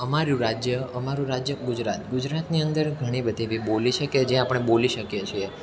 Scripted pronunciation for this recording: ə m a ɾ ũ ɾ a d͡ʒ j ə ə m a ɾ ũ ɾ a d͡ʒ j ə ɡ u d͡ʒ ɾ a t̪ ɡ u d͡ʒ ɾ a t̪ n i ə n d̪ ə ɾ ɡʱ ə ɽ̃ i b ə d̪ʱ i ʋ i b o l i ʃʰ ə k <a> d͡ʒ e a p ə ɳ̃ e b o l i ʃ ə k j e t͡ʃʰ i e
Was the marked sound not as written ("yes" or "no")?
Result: yes